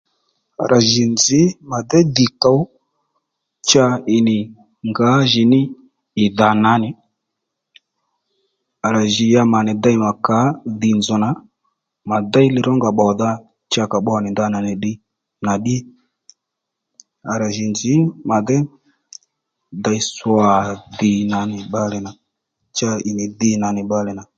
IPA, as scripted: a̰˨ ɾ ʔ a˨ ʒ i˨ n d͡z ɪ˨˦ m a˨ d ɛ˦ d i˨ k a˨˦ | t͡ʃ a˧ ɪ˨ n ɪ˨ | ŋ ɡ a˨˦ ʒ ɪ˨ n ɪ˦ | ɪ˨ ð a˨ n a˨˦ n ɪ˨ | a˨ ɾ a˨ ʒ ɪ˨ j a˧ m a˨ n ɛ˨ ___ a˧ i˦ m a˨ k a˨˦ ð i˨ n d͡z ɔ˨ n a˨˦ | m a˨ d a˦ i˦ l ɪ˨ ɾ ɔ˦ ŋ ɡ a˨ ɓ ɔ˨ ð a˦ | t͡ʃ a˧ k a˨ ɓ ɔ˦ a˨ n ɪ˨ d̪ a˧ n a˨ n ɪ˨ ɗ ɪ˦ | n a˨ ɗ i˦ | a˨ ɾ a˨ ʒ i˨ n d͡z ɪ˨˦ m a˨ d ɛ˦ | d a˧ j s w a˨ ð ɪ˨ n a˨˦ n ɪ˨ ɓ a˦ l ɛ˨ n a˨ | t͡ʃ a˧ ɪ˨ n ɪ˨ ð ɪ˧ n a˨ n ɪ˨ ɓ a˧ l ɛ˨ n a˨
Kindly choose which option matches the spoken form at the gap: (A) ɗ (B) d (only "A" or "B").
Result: B